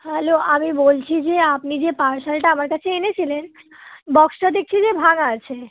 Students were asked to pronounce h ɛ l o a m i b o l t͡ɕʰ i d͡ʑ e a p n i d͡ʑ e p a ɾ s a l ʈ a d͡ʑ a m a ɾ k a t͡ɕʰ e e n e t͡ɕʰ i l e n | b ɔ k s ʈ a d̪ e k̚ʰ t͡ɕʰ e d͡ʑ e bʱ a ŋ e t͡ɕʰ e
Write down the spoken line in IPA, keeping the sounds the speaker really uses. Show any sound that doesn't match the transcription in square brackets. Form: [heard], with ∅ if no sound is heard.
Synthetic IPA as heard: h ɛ l o a m i b o l t͡ɕʰ i d͡ʑ e a p n i d͡ʑ e p a ɾ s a l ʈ a [∅] a m a ɾ k a t͡ɕʰ e e n e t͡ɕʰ i l e n | b ɔ k s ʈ a d̪ e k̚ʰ t͡ɕʰ [i] d͡ʑ e bʱ a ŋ [a] t͡ɕʰ e